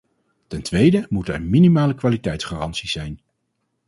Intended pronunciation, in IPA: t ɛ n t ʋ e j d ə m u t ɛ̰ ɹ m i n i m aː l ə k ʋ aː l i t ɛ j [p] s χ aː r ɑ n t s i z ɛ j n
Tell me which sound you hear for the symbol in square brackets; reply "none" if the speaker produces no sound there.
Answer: t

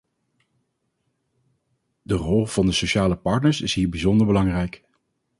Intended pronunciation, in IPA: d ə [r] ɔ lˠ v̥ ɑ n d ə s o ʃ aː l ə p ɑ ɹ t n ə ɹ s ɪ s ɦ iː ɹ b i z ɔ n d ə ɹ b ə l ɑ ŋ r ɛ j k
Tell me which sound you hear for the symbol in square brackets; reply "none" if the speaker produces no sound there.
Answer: r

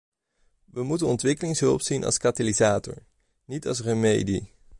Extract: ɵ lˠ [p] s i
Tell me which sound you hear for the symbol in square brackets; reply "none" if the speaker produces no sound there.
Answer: p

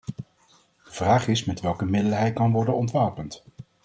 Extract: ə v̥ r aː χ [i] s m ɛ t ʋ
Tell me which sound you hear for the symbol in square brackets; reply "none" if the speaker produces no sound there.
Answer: ɪ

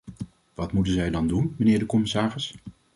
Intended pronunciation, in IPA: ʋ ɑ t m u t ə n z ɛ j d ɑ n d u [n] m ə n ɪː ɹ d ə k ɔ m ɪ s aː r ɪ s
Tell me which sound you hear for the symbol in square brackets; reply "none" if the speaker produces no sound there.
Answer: n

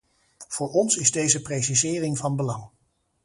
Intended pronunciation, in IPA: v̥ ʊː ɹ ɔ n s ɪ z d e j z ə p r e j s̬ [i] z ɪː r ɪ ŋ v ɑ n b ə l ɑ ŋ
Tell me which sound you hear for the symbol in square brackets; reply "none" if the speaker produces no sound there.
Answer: i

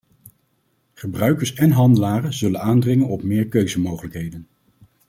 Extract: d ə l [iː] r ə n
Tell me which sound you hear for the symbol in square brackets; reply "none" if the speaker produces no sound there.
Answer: aː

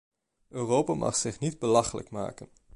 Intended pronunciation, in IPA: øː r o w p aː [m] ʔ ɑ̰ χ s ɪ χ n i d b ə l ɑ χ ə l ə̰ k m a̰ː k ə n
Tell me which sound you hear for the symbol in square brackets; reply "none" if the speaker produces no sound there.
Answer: m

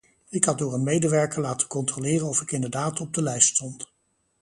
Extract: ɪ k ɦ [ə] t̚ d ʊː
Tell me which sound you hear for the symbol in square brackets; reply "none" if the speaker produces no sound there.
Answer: ɑ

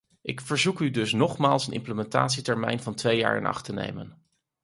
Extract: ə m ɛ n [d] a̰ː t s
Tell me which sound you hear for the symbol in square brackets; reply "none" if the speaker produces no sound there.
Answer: t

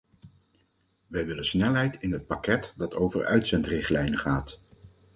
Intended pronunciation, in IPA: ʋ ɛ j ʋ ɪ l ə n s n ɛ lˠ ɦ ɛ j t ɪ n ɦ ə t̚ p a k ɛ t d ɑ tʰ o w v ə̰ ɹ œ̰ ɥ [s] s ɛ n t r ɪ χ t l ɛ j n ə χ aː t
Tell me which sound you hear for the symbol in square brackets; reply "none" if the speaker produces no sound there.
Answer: t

